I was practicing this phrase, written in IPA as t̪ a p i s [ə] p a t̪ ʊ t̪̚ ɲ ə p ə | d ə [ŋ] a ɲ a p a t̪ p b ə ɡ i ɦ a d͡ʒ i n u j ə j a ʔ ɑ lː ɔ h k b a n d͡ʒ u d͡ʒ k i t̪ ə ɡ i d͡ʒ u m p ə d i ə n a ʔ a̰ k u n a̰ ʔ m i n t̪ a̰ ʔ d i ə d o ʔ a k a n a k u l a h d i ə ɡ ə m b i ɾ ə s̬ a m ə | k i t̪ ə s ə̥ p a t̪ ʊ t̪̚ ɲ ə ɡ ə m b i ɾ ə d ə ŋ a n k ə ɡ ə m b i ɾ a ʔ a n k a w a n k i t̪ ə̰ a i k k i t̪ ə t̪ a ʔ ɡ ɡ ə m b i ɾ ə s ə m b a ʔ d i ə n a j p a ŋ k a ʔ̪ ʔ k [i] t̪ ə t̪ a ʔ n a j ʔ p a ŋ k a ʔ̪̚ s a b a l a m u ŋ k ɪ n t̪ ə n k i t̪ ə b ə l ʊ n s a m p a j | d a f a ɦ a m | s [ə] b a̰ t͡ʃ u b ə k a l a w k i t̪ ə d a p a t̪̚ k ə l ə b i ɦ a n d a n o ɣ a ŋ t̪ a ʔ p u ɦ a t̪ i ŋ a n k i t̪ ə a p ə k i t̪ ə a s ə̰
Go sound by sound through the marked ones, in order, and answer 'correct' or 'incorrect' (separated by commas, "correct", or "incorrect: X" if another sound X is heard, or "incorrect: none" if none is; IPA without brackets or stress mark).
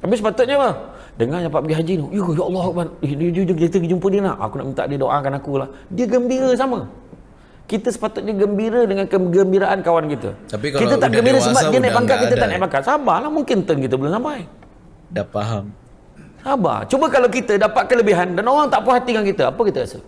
correct, correct, correct, incorrect: a